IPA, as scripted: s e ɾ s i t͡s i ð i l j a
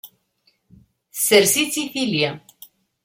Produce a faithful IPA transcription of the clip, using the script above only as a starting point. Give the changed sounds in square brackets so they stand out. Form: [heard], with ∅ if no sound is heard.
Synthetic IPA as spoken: s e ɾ s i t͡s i [θ] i l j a